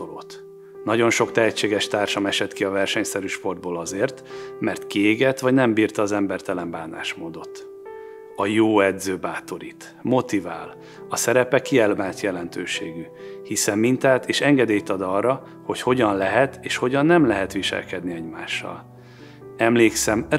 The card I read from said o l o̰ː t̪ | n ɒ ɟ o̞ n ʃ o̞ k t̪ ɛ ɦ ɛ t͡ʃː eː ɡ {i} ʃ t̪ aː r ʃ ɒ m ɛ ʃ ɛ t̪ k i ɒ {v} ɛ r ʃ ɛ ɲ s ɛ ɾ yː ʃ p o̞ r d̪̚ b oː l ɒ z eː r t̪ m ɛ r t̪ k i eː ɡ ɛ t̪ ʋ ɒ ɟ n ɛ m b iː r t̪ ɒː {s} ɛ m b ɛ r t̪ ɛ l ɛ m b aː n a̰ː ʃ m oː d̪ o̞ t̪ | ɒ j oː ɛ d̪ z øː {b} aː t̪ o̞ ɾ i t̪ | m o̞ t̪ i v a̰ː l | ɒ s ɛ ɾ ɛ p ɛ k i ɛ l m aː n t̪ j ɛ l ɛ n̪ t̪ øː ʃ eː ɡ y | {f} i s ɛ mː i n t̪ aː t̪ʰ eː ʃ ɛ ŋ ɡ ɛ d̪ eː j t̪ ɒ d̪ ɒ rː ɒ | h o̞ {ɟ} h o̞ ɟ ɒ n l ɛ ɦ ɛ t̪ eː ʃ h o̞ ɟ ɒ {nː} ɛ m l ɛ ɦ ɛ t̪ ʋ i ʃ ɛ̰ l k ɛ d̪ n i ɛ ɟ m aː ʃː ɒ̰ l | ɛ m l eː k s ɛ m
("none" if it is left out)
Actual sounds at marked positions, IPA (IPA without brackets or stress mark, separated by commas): ɛ, v, z, b, h, c, nː